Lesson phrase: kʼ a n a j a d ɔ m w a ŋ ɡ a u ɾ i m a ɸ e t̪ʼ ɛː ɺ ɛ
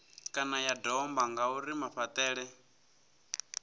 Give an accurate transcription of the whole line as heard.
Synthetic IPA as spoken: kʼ a n a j a d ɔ m b a ŋ ɡ a u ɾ i m a ɸ a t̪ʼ ɛː ɺ ɛ